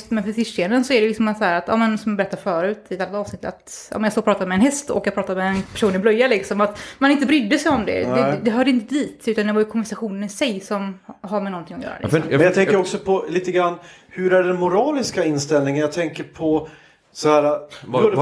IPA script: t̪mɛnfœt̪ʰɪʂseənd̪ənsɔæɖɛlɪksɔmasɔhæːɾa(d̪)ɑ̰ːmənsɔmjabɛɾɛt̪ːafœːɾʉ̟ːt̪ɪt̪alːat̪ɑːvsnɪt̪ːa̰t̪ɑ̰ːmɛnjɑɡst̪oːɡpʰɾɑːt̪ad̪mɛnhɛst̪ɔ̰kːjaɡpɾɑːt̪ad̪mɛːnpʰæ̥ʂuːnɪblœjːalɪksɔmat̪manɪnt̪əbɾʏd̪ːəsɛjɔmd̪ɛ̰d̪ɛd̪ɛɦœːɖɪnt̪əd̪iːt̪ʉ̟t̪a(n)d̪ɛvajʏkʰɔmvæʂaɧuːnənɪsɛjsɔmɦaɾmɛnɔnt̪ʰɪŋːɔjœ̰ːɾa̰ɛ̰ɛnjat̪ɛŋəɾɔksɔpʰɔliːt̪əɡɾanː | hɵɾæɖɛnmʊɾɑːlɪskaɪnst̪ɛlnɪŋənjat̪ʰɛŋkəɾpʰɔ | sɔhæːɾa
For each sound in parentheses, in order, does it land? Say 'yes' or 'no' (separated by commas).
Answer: no, yes